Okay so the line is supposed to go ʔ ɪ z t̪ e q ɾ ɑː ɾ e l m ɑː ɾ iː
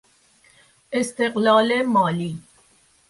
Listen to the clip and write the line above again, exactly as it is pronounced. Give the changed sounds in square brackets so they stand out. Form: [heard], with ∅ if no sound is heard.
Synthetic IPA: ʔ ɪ [s] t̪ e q [l] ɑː [l] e [∅] m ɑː [l] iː